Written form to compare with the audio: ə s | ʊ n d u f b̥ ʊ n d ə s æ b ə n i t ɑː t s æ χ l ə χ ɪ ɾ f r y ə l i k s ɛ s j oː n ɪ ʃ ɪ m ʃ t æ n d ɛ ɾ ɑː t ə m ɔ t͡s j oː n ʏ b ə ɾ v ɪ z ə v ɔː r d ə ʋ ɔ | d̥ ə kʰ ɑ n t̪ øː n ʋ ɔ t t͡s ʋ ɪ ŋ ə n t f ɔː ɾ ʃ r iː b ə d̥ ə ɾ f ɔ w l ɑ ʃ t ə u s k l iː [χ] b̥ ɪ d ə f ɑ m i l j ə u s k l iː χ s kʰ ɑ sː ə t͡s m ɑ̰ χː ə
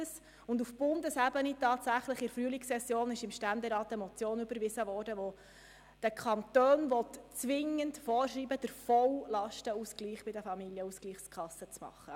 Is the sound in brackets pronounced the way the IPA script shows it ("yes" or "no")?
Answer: yes